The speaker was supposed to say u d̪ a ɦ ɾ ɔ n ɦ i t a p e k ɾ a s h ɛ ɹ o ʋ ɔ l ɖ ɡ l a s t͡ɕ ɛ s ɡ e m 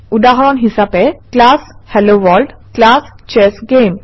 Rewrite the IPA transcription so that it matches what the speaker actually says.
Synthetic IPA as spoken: u d̪ a ɦ ɾ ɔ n ɦ i s a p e k l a s h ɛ l o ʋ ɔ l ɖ k l a s t͡ɕ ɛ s ɡ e m